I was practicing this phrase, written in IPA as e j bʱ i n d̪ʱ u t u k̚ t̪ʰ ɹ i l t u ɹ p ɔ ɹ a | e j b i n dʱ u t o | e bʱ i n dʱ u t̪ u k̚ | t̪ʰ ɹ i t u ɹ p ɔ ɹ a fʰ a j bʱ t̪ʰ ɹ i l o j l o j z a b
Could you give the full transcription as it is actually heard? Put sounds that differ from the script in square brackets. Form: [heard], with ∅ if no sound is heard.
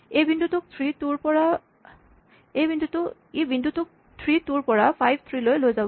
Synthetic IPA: e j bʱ i n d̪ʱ u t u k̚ t̪ʰ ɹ i [∅] t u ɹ p ɔ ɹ a | e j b i n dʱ u t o | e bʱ i n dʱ u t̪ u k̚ | t̪ʰ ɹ i t u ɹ p ɔ ɹ a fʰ a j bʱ t̪ʰ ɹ i l o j l o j z a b